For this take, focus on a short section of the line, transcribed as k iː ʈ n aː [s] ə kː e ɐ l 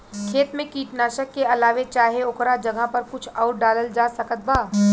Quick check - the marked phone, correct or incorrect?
incorrect: ʃ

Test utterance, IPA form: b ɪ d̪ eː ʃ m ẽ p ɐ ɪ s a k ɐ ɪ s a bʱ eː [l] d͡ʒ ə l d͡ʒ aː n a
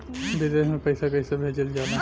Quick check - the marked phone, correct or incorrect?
incorrect: none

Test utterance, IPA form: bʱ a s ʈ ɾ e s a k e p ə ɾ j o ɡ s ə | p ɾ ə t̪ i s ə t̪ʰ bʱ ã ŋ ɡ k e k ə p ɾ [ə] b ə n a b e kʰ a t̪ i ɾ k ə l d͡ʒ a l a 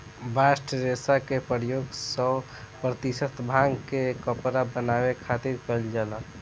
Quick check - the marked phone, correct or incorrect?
incorrect: a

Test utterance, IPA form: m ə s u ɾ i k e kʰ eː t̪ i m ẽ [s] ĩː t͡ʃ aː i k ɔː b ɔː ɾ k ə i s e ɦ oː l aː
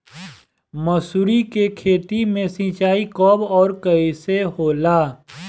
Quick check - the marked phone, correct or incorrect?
correct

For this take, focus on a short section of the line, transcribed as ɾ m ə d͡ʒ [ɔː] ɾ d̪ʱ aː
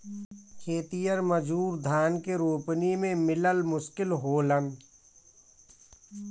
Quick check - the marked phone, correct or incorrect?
incorrect: uː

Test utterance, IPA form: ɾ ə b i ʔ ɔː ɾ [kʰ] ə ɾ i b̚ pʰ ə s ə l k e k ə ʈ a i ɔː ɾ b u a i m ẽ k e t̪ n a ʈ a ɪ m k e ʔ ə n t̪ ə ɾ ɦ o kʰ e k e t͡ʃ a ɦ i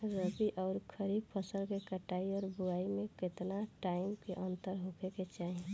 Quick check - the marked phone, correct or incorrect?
correct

